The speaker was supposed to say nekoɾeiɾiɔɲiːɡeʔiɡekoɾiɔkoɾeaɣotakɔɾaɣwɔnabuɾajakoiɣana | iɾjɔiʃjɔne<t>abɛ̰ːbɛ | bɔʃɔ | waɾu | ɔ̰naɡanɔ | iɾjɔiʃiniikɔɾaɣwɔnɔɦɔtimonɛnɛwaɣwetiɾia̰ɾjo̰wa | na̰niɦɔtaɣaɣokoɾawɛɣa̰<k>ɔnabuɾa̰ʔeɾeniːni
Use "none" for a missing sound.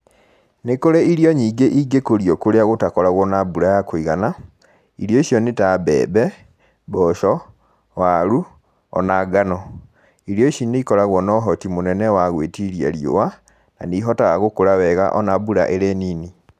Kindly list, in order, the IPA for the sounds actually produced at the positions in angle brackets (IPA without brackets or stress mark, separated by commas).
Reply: t, ʔ